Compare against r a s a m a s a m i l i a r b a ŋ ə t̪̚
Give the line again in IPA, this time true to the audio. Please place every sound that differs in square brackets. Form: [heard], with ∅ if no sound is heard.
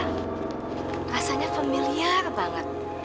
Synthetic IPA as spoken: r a s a [ɲ] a [f] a m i l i a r b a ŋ ə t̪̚

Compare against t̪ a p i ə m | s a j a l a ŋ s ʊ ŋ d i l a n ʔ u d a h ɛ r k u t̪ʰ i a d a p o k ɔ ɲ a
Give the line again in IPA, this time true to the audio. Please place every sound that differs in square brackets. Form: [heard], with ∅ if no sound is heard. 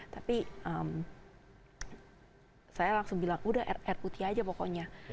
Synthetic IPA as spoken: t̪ a p i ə m | s a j a l a ŋ s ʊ ŋ [b] i l a [ŋ] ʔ u d a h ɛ r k u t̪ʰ i a [d͡ʒ] a p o k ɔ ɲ a

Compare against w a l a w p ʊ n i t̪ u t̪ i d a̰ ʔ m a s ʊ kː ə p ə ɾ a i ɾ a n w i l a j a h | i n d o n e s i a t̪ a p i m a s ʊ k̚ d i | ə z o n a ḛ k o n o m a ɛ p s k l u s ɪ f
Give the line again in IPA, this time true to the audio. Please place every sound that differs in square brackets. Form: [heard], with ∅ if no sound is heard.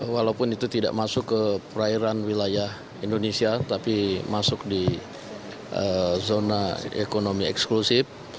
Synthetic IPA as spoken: w a l a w p ʊ n i t̪ u t̪ i d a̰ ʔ m a s ʊ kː ə p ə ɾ a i ɾ a n w i l a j a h | i n d o n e s i a t̪ a p i m a s ʊ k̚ d i | ə z o n a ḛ k o n o m [i] ɛ [k] s k l u s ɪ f

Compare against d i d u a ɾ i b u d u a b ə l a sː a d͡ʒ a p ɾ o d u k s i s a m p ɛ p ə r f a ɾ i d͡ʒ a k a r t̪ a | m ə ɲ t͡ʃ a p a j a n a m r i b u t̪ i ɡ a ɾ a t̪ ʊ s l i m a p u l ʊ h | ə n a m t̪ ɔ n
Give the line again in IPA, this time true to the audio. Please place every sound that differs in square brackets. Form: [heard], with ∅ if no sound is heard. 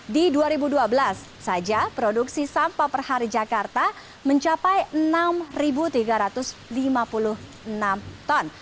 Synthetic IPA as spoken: d i d u a ɾ i b u d u a b ə l a sː a d͡ʒ a p ɾ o d u k s i s a m p [a] p ə r [h] a ɾ i d͡ʒ a k a r t̪ a | m ə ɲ t͡ʃ a p a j [ə] n a m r i b u t̪ i ɡ a ɾ a t̪ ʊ s l i m a p u l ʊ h | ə n a m t̪ ɔ n

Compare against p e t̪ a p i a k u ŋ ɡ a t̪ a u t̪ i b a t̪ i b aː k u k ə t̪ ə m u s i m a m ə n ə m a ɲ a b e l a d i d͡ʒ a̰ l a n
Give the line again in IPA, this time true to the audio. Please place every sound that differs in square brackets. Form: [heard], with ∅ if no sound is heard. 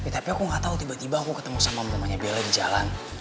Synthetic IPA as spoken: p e t̪ a p i a k u ŋ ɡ a t̪ a u t̪ i b a t̪ i b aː k u k ə t̪ ə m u s [a] m a m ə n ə m a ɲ a b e l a d i d͡ʒ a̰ l a n

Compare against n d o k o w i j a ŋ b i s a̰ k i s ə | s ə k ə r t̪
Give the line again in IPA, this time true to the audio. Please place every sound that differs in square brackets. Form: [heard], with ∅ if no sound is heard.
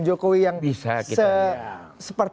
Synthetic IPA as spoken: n [d͡ʒ] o k o w i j a ŋ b i s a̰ k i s ə | s ə [p] ə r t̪

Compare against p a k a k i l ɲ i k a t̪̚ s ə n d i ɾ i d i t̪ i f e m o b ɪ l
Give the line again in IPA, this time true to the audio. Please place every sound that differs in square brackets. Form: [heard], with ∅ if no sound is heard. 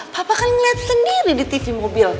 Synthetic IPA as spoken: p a [p] a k [a] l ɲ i [∅] a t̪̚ s ə n d i ɾ i d i t̪ i f [i] m o b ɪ l

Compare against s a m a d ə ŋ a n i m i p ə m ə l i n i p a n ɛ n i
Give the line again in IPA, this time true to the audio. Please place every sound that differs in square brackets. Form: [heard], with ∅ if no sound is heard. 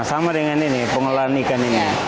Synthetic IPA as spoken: s a m a d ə ŋ a n i [n] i p ə [ŋ] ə l [a] n i [k] a n [i] n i

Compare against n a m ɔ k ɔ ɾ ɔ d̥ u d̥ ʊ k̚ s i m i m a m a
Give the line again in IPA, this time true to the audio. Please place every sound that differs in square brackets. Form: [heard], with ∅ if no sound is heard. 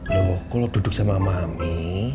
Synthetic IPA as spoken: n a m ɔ k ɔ [l] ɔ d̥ u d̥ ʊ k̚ s [a] m [a] m a m [i]

